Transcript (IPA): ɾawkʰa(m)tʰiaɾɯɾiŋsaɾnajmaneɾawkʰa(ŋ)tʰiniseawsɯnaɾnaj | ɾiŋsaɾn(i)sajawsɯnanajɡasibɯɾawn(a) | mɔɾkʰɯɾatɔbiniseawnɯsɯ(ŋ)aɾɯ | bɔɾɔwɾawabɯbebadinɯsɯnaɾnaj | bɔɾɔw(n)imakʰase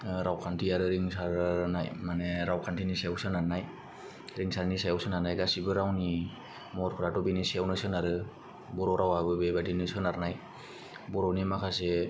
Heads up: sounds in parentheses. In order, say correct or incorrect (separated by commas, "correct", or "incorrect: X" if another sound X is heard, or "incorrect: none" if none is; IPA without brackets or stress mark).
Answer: incorrect: n, incorrect: n, correct, incorrect: i, incorrect: n, correct